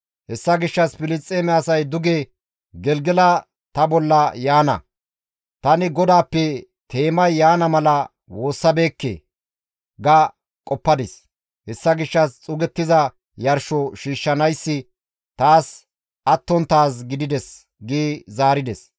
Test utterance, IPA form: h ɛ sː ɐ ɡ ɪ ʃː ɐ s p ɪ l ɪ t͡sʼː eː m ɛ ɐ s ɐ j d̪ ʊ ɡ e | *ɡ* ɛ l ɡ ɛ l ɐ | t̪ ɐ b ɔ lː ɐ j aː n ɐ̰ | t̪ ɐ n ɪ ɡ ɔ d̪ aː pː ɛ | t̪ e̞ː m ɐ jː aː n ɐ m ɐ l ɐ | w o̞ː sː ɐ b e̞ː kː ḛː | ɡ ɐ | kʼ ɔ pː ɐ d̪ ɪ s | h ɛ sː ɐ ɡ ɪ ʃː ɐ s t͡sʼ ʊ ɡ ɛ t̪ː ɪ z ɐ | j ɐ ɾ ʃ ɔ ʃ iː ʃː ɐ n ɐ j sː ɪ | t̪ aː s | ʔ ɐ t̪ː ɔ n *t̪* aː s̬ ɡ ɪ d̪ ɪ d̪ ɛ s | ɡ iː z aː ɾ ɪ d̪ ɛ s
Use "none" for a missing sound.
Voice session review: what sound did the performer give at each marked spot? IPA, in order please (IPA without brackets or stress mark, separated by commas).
ɡ, t̪